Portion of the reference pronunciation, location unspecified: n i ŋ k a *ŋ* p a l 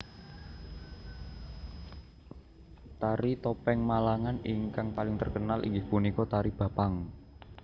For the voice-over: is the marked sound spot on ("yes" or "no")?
yes